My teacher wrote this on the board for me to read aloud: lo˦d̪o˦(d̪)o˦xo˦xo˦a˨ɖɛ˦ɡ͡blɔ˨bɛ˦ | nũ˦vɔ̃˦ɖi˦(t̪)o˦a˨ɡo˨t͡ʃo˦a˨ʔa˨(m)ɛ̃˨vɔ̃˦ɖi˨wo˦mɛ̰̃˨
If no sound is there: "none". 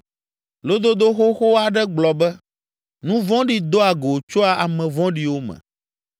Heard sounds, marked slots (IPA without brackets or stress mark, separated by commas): d̪, d̪, m